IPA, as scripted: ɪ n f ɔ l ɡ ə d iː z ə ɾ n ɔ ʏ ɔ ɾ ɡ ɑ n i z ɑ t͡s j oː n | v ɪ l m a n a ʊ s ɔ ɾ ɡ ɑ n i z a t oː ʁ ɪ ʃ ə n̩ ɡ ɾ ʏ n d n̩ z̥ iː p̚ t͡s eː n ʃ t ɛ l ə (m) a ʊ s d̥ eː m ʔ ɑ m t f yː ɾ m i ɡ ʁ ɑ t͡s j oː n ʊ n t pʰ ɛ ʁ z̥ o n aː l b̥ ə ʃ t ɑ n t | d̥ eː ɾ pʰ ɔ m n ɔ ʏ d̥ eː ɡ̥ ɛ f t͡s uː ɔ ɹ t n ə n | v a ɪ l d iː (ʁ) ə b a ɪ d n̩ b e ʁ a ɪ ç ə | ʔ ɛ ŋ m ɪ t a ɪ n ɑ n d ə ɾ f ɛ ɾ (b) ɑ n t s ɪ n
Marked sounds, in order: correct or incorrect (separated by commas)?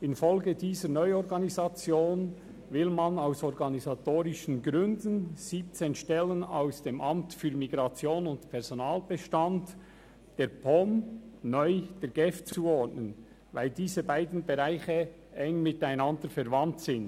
incorrect, incorrect, incorrect